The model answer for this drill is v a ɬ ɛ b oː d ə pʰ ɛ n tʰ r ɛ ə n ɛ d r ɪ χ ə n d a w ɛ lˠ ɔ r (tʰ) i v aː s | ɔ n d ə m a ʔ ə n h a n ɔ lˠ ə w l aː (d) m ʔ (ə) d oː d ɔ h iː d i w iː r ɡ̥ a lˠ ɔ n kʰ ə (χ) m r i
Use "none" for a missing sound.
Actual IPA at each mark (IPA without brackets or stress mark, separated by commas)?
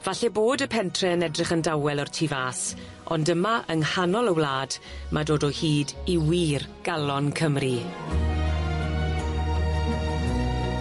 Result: tʰ, d, a, none